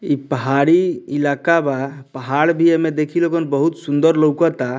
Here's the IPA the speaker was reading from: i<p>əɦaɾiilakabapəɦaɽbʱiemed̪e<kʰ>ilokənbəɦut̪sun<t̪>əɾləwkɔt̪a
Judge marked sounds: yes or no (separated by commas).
yes, yes, no